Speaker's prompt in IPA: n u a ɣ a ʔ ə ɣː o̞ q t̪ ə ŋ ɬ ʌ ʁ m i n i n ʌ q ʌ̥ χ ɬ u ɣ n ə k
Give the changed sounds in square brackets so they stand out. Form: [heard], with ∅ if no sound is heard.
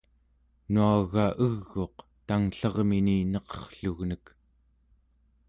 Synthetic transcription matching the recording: n u a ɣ a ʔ ə ɣː o̞ q t̪ [a] ŋ ɬ ʌ ʁ m i n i n ʌ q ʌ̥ χ ɬ u ɣ n ə k